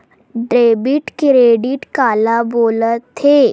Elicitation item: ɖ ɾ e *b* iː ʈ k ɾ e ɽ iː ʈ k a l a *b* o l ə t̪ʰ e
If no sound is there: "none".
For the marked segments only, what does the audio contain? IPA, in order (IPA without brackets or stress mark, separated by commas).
b, b